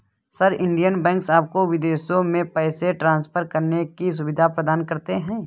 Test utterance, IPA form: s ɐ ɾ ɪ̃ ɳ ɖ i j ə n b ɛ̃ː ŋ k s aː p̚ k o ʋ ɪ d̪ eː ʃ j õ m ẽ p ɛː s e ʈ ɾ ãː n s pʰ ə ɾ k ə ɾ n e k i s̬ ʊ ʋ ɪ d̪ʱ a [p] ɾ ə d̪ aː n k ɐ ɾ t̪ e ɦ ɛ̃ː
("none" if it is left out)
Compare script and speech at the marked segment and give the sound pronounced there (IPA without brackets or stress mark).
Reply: p